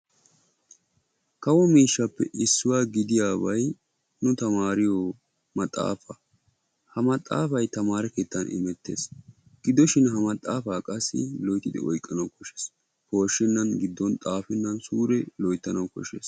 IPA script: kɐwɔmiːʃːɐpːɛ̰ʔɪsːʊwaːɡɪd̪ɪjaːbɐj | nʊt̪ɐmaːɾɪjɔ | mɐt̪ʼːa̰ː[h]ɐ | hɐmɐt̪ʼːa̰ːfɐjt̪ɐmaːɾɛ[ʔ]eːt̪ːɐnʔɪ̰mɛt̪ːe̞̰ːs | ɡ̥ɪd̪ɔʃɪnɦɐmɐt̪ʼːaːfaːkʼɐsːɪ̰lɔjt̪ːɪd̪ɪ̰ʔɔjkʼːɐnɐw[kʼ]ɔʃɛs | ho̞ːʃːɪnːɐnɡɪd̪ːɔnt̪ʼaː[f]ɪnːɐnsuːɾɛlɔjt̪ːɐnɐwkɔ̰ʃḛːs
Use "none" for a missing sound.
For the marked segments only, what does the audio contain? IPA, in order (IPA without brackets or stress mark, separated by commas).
f, k, k, f